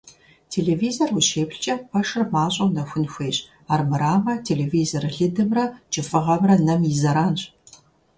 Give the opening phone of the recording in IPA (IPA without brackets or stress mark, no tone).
tʰ